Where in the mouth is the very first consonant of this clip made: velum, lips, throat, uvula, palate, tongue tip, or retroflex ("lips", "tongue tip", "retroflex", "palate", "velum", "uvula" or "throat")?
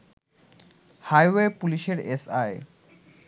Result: throat